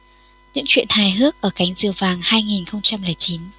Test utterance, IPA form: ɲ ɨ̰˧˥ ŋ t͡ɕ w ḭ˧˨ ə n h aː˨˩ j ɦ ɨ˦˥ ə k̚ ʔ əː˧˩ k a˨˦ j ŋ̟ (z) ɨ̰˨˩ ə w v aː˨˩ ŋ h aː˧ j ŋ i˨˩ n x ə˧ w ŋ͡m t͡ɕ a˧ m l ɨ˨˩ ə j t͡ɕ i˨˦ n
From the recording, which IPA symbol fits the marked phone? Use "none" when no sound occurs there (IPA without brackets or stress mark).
z